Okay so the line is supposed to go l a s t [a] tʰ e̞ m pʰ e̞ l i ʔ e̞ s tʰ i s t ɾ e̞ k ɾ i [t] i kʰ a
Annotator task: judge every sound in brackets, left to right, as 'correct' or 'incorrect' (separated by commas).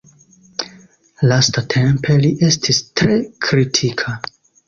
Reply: correct, incorrect